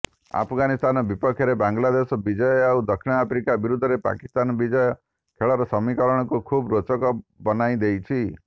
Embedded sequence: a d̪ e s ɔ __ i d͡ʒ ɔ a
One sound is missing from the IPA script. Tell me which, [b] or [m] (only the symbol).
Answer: b